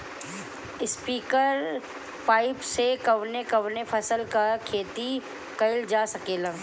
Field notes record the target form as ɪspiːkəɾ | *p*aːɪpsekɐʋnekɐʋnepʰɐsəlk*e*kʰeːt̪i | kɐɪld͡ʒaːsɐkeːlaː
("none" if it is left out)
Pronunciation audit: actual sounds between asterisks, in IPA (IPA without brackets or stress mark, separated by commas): p, a